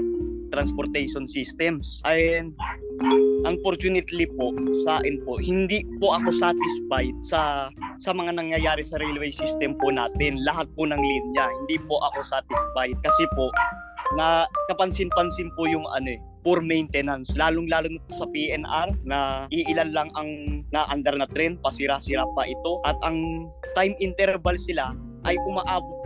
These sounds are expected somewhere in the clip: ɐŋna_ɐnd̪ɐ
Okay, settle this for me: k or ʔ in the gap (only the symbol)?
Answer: ʔ